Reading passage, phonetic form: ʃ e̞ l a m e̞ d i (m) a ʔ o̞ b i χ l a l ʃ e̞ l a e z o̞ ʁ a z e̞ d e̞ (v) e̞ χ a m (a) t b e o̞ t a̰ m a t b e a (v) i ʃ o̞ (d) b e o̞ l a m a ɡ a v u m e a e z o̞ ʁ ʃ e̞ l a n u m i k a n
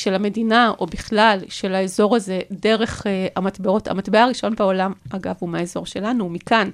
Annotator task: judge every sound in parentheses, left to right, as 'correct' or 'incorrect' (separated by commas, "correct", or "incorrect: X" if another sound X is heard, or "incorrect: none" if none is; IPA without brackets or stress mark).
incorrect: n, incorrect: ʁ, correct, incorrect: ʁ, incorrect: n